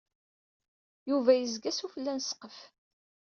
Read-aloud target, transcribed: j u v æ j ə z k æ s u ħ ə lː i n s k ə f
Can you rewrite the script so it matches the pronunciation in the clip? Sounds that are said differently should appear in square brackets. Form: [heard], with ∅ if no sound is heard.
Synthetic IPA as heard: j u v æ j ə z [ɡ] æ s u [f] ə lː [æ] n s [q] ə f